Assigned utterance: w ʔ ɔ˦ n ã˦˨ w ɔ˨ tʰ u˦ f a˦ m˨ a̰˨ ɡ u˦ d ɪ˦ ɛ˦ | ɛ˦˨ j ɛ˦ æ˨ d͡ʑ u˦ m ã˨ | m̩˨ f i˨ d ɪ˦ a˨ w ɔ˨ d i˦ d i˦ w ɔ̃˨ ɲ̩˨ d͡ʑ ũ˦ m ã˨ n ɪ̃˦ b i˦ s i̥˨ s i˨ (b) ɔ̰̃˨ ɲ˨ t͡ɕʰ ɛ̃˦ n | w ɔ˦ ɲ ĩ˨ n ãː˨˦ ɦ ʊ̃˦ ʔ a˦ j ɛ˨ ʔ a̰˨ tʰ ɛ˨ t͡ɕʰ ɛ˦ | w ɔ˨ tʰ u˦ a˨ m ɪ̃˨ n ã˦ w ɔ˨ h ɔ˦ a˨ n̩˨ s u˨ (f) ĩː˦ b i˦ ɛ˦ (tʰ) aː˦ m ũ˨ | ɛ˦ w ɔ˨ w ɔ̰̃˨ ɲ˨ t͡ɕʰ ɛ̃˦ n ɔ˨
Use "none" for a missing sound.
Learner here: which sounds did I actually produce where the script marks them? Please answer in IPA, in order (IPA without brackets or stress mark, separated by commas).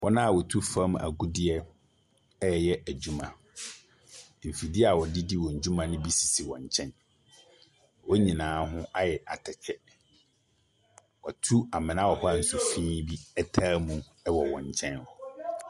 w, f, tʰ